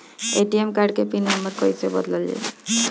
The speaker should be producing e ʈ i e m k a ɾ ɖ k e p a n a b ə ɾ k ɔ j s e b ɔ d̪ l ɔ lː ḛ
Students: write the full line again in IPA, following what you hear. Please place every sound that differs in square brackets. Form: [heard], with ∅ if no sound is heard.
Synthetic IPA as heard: e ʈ i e m k a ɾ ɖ k e p [i] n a [m] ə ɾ k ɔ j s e b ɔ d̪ l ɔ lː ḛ